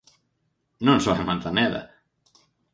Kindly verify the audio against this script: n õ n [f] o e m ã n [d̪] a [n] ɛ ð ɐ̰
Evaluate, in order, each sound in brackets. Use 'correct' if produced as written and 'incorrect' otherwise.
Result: incorrect, incorrect, correct

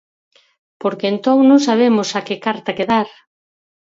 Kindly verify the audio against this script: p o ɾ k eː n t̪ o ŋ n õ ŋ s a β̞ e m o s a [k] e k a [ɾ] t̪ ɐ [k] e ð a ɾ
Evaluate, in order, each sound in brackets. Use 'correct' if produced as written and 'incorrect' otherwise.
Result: correct, correct, correct

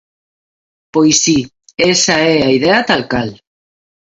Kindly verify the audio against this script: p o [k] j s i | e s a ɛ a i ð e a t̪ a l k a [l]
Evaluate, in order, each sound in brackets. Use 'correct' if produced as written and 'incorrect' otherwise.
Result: incorrect, correct

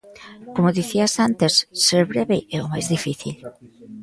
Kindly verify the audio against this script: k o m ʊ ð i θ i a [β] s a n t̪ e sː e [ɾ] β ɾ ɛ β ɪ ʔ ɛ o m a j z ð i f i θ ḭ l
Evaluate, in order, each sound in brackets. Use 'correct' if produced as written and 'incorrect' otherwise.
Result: incorrect, correct

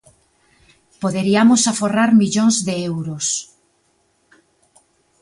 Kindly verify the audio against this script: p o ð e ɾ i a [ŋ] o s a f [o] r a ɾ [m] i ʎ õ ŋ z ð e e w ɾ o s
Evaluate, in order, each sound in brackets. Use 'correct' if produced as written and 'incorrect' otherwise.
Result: incorrect, correct, correct

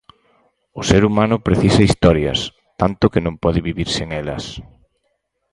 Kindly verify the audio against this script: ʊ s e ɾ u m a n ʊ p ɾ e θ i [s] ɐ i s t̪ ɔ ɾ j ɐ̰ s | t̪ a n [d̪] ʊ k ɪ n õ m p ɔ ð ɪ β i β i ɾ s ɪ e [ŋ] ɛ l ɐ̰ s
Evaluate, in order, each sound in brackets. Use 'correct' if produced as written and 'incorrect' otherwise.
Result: correct, incorrect, correct

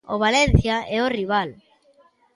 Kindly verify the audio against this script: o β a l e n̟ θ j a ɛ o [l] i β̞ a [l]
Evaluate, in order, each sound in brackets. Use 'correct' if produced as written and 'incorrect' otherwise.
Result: incorrect, correct

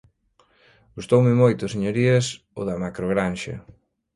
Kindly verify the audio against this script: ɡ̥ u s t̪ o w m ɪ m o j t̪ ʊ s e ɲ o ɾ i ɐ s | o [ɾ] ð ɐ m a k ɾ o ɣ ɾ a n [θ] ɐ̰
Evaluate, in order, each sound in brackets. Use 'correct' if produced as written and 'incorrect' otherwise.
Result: incorrect, incorrect

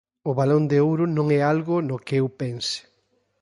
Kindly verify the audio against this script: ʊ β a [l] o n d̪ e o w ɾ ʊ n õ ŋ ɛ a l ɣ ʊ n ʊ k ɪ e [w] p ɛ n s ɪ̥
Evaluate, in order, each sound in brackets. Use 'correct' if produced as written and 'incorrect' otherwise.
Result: correct, correct

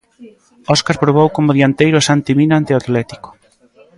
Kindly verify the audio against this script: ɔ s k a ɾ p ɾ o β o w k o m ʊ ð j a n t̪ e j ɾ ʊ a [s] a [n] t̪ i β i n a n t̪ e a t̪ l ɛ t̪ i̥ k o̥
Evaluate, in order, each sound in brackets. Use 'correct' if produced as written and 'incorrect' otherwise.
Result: correct, correct

